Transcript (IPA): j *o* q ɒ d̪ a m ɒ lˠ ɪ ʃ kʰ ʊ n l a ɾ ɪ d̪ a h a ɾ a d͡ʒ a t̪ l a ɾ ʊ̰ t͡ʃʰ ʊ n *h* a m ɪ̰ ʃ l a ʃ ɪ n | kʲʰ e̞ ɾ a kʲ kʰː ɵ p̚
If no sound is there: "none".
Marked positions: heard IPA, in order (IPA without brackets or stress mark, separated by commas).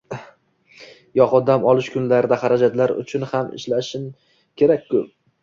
ɒ, h